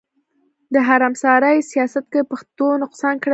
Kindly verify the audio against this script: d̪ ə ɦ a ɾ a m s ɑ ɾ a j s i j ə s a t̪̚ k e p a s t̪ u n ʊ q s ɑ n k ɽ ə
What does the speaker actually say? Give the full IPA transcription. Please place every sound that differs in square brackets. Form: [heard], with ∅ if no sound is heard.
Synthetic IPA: d̪ ə ɦ a ɾ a m s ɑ ɾ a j s i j [ɑ] s a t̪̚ k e p a [x] t̪ [o] n ʊ q s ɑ n k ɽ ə